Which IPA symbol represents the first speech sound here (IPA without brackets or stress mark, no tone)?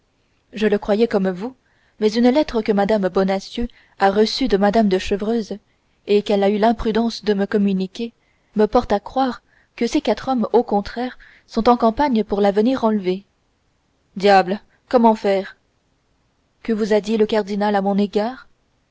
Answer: ʒ